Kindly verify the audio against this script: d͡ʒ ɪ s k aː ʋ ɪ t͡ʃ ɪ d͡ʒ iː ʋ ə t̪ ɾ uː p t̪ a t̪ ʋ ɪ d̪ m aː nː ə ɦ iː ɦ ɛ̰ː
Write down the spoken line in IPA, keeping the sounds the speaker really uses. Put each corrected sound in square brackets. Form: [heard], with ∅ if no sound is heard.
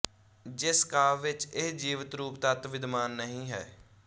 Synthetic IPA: d͡ʒ ɪ s k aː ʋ ɪ t͡ʃ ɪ d͡ʒ iː ʋ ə t̪ ɾ uː p t̪ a t̪ ʋ ɪ d̪ m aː nː ə ɦ [ĩː] ɦ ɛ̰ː